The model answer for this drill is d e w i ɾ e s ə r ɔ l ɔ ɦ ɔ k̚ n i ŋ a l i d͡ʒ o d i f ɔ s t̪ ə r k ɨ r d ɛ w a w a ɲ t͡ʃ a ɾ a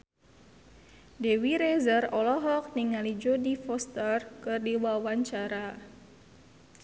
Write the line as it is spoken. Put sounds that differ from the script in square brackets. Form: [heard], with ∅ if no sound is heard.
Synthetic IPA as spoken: d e w i ɾ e [z] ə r ɔ l ɔ ɦ ɔ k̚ n i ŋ a l i d͡ʒ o d i f ɔ s t̪ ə r k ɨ r d [i] w a w a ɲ t͡ʃ a ɾ a